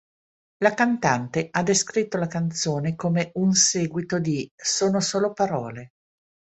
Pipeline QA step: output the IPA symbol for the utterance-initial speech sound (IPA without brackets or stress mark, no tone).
l